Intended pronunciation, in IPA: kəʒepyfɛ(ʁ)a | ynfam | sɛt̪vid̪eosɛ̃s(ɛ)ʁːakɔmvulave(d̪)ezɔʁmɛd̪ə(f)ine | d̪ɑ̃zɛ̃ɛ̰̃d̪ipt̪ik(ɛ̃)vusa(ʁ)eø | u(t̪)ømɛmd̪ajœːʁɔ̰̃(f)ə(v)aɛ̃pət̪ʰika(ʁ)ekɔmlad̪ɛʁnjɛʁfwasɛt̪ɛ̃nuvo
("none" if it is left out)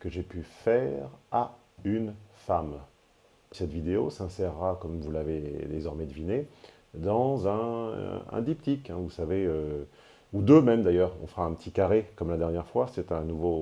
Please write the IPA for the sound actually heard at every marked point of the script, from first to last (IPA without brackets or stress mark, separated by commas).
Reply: ʁ, ɛ, d̪, v, ɛ̃, v, d̪, f, ʁ, ʁ